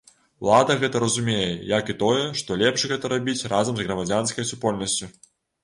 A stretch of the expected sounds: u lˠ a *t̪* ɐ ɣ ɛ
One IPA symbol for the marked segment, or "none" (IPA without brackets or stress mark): d̪